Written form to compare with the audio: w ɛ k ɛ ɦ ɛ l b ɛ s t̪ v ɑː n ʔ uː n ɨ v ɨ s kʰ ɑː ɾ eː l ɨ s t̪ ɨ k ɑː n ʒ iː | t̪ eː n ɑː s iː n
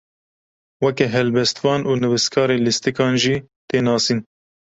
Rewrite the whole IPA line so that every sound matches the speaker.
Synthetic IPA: w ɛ k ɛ ɦ ɛ l b ɛ s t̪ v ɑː n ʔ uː n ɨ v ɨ s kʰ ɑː ɾ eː l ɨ s t̪ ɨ k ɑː n ʒ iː | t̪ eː n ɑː s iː n